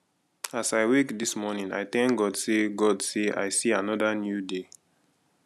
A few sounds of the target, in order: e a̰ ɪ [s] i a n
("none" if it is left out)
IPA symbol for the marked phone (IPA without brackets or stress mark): s